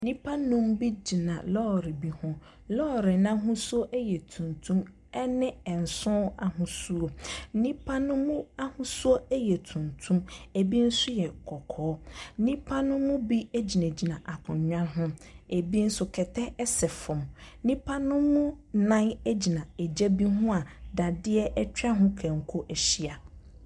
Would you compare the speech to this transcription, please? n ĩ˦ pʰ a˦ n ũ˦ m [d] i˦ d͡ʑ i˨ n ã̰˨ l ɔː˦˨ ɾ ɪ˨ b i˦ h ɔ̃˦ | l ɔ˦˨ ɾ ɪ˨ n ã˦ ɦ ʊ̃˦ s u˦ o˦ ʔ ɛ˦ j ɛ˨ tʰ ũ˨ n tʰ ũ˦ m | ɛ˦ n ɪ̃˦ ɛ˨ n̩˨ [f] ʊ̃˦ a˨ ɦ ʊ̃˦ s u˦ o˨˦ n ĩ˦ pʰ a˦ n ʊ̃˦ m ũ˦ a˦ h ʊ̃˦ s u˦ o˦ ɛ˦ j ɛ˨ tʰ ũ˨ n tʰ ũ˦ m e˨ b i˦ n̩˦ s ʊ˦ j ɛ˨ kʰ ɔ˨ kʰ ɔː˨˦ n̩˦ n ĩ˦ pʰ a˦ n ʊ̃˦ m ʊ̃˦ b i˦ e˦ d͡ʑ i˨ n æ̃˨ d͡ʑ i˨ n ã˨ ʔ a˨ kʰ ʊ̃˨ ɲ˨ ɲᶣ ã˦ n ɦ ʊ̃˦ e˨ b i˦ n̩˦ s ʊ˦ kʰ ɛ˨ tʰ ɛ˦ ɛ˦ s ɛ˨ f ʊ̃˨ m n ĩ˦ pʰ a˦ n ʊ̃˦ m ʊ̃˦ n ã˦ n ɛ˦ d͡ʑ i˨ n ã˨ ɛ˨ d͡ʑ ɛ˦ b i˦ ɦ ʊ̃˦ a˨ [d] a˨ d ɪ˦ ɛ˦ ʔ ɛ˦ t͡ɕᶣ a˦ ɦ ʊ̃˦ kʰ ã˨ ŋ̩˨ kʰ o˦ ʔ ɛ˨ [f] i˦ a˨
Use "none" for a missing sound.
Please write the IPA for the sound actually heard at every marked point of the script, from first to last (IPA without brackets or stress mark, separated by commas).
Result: b, s, d, ɕ